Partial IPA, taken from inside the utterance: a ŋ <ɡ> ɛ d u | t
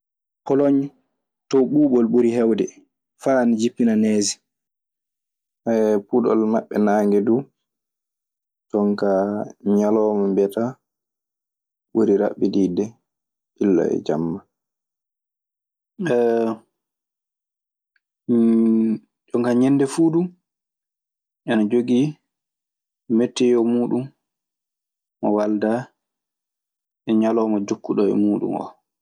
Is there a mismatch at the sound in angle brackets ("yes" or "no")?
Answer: no